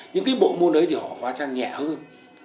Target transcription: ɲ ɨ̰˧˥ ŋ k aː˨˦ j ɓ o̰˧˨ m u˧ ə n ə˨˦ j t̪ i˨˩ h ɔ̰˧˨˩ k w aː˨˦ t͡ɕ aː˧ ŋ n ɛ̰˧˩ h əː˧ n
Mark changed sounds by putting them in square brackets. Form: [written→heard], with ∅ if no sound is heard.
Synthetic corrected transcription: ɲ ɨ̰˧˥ ŋ k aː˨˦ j ɓ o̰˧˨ m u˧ ə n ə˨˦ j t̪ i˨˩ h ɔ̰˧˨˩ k w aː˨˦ t͡ɕ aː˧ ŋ [n→ɲ] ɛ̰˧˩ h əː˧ n